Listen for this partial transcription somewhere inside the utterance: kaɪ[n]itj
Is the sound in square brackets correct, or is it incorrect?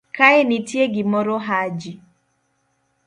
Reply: correct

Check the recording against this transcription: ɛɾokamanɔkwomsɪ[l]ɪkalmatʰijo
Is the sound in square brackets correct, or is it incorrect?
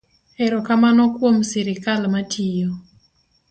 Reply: incorrect: ɾ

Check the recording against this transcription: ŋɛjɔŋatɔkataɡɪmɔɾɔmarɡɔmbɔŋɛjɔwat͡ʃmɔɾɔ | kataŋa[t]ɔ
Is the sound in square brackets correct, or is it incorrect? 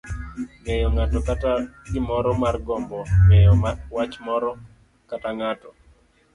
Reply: correct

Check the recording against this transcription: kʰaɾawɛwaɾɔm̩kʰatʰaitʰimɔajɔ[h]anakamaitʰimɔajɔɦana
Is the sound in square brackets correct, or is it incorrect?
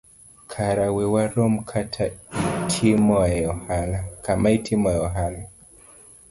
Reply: correct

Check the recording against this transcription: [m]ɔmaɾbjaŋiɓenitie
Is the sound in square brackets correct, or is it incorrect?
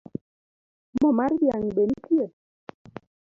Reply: correct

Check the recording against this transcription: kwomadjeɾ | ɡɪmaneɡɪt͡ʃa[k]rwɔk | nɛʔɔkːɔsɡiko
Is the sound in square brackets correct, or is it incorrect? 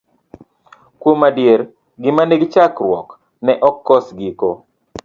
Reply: correct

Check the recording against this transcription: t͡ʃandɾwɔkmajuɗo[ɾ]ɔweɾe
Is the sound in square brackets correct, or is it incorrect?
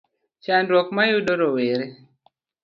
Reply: correct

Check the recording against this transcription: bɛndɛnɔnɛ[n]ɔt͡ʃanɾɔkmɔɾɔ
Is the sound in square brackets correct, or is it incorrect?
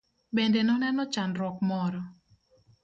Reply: correct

